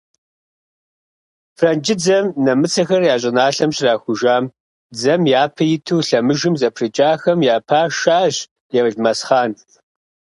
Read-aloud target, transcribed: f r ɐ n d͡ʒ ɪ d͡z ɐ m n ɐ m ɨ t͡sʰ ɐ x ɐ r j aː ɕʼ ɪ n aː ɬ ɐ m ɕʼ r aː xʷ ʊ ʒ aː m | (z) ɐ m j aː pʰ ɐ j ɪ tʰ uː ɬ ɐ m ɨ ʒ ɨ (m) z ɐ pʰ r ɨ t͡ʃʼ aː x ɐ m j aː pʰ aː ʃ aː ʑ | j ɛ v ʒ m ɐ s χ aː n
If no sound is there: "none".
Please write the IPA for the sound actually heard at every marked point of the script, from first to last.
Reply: d͡z, m

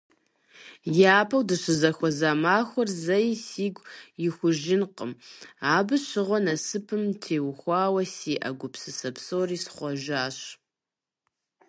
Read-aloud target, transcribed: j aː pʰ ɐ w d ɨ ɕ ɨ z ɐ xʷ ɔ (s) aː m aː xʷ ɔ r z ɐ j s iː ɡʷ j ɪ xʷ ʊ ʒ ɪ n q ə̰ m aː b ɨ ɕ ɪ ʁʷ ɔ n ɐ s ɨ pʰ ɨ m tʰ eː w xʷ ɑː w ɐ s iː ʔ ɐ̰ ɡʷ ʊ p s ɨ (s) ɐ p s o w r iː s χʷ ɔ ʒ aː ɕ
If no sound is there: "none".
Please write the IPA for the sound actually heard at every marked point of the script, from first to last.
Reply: z, s

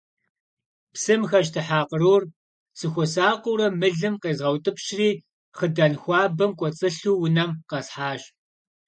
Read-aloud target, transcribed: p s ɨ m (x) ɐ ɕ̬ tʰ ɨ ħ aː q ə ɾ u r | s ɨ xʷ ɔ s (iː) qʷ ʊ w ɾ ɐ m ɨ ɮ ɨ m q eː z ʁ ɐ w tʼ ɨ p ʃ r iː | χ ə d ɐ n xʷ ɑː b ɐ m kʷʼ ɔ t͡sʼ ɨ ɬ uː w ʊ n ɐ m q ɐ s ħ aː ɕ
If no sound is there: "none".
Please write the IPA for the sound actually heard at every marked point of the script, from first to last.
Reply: x, aː

